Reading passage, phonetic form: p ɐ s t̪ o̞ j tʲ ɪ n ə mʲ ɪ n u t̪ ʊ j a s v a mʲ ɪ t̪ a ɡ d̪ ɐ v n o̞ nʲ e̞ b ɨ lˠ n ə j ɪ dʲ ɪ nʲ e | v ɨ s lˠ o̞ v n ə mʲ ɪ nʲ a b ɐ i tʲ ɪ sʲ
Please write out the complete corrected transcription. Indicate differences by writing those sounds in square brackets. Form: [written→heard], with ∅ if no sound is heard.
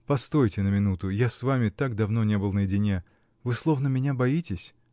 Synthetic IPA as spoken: p ɐ s t̪ o̞ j tʲ ɪ n ə mʲ ɪ n u t̪ ʊ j a s v a mʲ ɪ t̪ a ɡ d̪ ɐ v n o̞ nʲ e̞ b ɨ lˠ n ə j ɪ dʲ ɪ nʲ e | v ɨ s lˠ o̞ v n ə mʲ ɪ nʲ a b ɐ i tʲ ɪ sʲ